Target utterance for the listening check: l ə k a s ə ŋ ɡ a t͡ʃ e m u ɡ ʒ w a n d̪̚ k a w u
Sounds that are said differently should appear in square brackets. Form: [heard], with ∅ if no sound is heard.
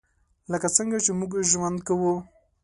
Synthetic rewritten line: l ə k a [t͡s] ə ŋ ɡ a t͡ʃ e m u ɡ ʒ w a n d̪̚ k a w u